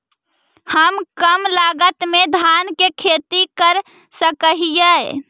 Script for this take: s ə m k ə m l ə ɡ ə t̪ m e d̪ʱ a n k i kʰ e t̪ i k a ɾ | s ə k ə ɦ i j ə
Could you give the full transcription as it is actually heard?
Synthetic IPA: h ə m k ə m l a ɡ ə t̪ m e d̪ʱ a n k e kʰ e t̪ i k ə ɾ | s ə k ə ɦ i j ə